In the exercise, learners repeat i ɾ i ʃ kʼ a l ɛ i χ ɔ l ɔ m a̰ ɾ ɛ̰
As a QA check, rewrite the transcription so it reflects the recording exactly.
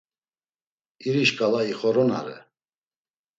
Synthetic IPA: i ɾ i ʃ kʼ a l a i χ ɔ ɾ ɔ n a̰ ɾ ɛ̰